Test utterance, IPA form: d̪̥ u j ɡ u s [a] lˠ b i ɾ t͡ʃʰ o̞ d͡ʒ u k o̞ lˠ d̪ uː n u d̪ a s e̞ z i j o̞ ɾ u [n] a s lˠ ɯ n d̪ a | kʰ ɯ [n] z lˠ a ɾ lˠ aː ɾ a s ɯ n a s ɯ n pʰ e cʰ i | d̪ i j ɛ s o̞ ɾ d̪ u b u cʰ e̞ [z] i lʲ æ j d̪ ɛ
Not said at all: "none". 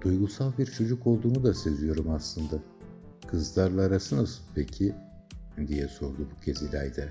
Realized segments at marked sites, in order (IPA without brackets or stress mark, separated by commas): a, m, none, z